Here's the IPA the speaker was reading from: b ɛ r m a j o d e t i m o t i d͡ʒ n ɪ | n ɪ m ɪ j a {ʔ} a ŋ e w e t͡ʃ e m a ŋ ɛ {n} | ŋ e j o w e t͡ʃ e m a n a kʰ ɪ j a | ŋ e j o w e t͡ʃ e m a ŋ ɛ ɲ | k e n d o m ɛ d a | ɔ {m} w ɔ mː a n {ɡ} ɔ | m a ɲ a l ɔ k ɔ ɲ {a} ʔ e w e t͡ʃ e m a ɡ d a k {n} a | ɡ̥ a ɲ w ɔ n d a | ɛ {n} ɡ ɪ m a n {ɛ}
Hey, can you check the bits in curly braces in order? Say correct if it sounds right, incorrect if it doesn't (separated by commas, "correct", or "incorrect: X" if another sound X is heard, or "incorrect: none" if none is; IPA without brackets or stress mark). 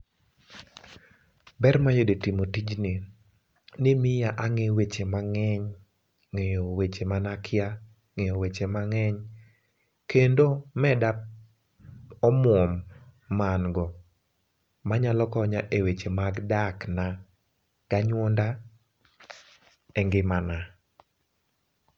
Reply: correct, incorrect: ɲ, correct, correct, correct, correct, incorrect: ŋ, incorrect: a